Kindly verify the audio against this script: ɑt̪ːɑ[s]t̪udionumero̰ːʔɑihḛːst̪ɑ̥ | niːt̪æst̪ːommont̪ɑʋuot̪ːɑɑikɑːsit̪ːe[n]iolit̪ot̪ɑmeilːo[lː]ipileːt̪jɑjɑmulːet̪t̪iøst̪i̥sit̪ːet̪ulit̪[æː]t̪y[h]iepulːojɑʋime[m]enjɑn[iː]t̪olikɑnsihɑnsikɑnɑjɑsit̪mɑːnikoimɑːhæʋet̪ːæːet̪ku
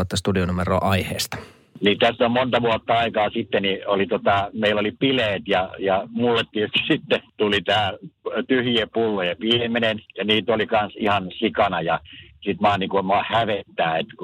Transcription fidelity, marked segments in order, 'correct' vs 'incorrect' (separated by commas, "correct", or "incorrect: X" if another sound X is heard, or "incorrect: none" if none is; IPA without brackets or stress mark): correct, correct, incorrect: l, correct, correct, incorrect: n, correct